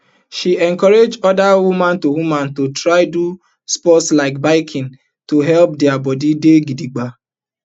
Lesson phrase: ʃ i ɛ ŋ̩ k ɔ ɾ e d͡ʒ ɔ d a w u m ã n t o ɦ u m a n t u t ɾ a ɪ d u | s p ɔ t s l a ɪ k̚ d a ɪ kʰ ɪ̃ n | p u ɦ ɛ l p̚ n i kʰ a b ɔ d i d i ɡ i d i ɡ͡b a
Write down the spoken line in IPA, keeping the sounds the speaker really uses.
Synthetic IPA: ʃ i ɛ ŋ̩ k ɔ ɾ e d͡ʒ ɔ d a w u m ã n t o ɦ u m a n t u t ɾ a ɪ d u | s p ɔ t s l a ɪ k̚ b a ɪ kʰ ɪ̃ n | t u ɦ ɛ l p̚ d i a b ɔ d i d e ɡ i d i ɡ͡b a